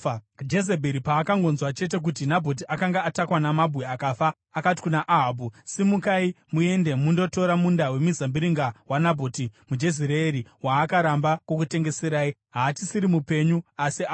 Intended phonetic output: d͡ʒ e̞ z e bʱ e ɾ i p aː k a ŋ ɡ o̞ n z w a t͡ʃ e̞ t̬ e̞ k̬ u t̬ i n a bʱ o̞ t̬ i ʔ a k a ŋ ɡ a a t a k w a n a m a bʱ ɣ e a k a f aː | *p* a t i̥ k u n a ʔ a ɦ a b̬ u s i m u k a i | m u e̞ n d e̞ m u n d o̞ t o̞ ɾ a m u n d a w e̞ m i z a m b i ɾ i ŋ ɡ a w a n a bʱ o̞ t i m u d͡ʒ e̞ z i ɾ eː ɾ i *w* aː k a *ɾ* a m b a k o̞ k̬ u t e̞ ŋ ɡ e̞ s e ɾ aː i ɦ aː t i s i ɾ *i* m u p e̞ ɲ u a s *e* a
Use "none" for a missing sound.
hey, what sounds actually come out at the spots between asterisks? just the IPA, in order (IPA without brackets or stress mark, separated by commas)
k, w, ɾ, i, i